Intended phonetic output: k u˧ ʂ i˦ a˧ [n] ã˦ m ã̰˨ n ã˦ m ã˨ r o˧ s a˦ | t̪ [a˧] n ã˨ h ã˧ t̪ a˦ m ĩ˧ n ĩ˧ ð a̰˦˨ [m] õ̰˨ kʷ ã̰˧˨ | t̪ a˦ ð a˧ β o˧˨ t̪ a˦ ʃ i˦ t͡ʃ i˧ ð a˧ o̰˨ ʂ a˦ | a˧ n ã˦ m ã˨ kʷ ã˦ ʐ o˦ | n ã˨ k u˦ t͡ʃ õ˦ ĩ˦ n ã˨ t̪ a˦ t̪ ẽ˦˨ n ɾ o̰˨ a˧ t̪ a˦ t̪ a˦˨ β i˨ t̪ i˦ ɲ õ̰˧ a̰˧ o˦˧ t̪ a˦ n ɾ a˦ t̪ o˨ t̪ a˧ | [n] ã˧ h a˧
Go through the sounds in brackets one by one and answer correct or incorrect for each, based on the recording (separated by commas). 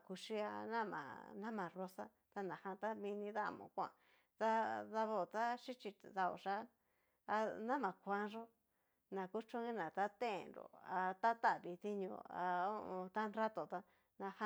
correct, correct, correct, correct